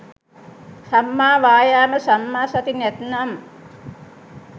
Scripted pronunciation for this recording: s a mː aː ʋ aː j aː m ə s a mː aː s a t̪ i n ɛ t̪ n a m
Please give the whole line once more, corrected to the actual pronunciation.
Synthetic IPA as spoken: s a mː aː ʋ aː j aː m ə s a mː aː s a t̪ i n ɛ t̪ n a m